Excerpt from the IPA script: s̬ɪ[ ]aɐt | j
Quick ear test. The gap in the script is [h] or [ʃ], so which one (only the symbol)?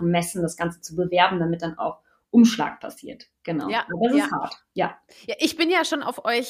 h